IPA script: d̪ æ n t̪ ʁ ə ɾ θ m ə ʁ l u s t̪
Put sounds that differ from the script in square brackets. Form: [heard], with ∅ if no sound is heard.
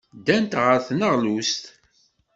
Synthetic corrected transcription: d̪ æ n t̪ ʁ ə ɾ θ [n] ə ʁ l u s t̪